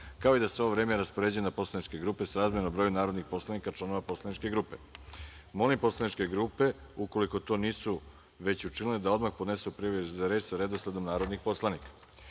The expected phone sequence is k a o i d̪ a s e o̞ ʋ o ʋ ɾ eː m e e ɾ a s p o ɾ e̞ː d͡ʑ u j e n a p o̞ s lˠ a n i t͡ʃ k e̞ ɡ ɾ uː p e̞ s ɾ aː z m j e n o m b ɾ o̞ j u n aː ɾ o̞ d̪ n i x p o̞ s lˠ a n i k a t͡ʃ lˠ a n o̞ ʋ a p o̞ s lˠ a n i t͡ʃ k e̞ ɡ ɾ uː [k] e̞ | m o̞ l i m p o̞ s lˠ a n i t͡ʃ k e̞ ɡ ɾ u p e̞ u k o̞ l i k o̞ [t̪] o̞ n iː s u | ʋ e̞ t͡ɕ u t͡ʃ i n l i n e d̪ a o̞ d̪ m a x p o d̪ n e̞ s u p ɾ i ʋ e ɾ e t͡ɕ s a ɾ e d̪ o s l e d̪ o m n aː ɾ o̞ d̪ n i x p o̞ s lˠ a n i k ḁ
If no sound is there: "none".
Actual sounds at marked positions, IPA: p, t̪

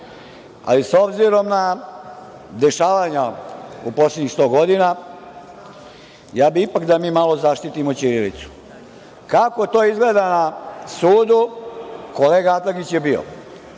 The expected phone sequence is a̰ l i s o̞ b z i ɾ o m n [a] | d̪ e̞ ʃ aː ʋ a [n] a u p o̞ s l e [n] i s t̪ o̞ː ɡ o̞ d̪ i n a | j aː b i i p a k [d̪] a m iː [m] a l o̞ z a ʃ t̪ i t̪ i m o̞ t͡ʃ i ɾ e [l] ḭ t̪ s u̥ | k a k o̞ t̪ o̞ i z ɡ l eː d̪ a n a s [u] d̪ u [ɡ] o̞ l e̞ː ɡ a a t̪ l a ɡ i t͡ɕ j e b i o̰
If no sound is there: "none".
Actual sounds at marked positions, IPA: a, ɲ, ɲ, d̪, m, l, uː, k

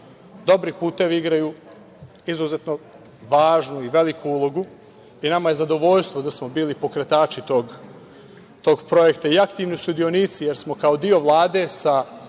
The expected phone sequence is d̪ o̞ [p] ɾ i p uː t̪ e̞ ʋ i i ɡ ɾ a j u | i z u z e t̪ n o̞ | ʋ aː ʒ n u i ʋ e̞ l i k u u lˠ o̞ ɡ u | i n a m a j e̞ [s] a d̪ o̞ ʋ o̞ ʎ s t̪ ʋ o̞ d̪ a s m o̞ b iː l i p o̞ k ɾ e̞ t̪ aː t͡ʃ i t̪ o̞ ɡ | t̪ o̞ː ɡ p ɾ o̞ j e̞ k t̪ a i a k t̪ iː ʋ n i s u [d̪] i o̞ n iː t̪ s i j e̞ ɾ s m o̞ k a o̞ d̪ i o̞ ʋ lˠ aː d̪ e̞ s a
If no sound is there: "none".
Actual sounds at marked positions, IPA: b, z, d̪

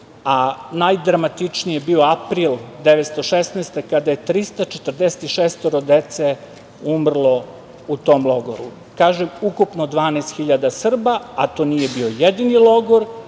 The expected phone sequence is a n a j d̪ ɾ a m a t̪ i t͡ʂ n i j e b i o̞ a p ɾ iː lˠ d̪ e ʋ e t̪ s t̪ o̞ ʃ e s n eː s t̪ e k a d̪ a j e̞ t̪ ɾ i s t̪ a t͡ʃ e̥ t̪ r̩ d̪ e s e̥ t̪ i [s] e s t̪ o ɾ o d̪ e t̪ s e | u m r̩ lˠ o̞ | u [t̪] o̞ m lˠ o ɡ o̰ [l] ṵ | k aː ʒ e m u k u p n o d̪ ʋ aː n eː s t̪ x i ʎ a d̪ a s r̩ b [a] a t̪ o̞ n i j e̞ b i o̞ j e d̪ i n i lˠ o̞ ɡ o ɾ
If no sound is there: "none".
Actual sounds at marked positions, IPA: ʃ, t̪, ɾ, a

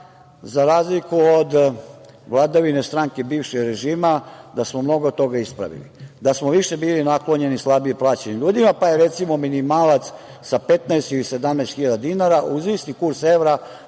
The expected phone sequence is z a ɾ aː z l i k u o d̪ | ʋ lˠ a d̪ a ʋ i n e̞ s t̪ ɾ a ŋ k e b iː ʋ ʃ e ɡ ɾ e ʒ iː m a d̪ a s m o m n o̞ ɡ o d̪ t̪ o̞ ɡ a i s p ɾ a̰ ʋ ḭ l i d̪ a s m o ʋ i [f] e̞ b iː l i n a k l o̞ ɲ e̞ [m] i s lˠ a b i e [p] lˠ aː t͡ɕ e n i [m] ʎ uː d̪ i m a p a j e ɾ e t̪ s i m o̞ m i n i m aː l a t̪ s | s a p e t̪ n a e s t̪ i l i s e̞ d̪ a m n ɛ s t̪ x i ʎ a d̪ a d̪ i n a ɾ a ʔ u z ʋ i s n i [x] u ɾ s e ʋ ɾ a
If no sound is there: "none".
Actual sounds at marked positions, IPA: ʃ, n, p, m, k

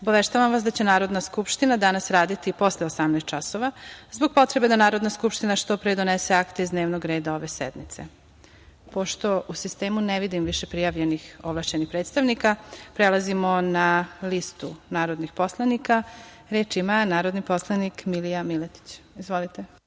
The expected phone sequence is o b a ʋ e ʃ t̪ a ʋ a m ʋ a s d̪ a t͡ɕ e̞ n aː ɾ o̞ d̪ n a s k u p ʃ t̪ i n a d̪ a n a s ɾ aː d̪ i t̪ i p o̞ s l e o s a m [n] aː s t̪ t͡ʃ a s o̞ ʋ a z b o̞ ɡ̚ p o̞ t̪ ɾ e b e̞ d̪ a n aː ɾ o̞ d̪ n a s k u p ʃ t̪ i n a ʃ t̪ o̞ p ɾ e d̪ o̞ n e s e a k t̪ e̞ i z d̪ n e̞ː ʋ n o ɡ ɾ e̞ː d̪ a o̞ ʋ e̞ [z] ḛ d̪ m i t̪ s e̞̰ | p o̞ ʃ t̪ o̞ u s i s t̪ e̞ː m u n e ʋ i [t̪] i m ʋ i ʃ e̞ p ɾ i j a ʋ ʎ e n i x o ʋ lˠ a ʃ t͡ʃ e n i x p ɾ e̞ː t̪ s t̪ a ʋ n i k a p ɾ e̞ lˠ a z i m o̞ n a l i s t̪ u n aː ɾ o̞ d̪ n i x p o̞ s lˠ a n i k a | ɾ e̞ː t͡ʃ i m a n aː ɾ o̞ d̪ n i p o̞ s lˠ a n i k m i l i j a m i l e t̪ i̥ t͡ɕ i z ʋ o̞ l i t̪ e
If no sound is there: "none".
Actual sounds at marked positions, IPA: n, s, d̪

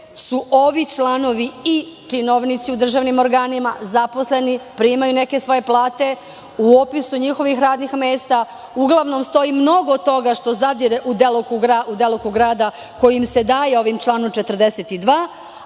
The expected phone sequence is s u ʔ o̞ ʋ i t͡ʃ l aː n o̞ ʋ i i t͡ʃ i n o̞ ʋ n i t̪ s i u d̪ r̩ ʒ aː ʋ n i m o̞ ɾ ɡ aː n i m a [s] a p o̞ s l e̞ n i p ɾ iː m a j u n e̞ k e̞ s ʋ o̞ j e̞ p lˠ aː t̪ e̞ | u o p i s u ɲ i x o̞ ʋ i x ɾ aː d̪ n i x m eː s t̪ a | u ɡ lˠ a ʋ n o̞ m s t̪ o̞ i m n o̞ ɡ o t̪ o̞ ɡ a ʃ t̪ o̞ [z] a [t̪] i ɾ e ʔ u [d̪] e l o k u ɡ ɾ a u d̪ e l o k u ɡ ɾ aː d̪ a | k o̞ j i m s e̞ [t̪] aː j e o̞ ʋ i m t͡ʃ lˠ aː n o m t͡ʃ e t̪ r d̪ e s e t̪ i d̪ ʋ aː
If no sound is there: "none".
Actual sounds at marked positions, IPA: z, z, d̪, d̪, d̪

